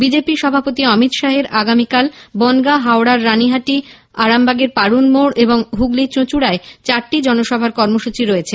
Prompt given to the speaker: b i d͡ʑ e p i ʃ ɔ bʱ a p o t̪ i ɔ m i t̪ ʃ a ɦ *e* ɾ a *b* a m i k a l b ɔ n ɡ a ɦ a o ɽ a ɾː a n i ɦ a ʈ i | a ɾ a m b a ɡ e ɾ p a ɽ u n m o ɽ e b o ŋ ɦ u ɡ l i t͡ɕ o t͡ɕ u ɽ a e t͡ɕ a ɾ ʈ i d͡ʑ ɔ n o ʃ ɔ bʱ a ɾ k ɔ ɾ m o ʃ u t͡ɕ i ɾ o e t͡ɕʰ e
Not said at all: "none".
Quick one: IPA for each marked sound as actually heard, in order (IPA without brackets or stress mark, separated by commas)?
e, ɡ